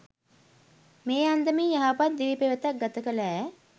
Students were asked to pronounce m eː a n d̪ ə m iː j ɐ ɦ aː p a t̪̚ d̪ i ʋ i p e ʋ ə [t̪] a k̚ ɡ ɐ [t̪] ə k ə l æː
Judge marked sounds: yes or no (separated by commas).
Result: yes, yes